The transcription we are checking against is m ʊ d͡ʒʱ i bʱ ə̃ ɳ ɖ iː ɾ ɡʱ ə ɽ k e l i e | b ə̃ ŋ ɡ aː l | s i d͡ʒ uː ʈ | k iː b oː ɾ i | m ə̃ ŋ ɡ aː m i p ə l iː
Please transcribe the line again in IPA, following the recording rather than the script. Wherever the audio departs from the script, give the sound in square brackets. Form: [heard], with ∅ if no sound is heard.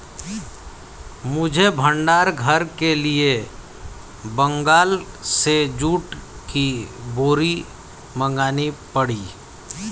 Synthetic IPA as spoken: m ʊ d͡ʒʱ [e] bʱ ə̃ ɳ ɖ [aː] ɾ ɡʱ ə [ɾ] k e l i e | b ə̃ ŋ ɡ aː l | s [e] d͡ʒ uː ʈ | k [i] b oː ɾ i | m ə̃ ŋ ɡ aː [n] i p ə [ɽ] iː